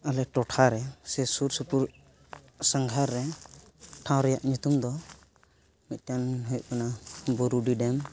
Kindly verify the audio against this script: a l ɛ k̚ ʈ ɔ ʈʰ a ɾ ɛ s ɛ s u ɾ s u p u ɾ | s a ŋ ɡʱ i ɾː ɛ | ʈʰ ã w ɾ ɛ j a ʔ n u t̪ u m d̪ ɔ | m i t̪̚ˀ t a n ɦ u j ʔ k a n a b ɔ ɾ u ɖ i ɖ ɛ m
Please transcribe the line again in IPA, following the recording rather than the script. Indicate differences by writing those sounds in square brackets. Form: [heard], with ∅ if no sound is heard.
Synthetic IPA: a l ɛ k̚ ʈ ɔ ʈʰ a ɾ ɛ s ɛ s u ɾ s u p u ɾ | s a ŋ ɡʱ [a] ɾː ɛ | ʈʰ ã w ɾ ɛ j a ʔ [ɲ] u t̪ u m d̪ ɔ | m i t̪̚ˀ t a n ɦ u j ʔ k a n a b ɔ ɾ u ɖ i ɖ ɛ m